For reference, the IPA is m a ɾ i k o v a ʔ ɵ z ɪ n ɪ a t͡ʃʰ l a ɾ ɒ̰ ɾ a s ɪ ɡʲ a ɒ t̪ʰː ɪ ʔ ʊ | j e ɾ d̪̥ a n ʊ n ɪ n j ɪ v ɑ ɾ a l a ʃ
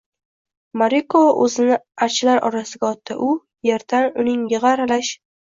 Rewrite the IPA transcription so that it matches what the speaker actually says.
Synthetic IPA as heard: m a ɾ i k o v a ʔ ɵ z ɪ n ɪ a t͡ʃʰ l a ɾ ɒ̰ ɾ a s ɪ ɡʲ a ɒ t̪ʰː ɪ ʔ ʊ | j e ɾ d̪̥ a n ʊ n ɪ ŋ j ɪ ʁ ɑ ɾ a l a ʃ